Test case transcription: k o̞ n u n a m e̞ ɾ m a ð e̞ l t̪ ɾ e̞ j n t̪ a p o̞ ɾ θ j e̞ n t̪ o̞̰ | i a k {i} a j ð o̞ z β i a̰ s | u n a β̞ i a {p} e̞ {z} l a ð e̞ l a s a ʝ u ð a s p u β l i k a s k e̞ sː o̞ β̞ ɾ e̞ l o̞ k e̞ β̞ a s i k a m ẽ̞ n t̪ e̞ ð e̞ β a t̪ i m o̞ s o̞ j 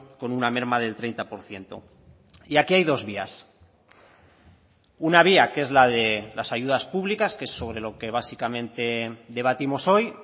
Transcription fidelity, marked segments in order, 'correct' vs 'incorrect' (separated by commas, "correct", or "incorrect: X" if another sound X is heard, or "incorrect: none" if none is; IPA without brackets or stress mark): correct, incorrect: k, correct